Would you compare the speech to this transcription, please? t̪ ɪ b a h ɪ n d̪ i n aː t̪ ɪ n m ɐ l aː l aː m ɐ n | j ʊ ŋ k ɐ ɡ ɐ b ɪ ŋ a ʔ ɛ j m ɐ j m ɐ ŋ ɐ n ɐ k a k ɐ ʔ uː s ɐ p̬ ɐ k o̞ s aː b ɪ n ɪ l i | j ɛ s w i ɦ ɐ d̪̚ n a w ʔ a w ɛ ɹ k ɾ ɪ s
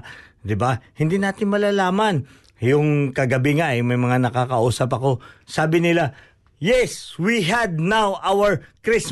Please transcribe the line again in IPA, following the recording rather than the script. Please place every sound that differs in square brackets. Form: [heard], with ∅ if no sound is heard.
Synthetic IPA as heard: [d̪] ɪ b a h ɪ n d̪ i n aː t̪ ɪ n m ɐ l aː l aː m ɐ n | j ʊ ŋ k ɐ ɡ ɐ b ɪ ŋ a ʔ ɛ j m ɐ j m ɐ ŋ [a] n ɐ k a k ɐ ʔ uː s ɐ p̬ ɐ k o̞ s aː b ɪ n ɪ l [a] | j ɛ s w i ɦ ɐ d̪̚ n a w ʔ a w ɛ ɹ k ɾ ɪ s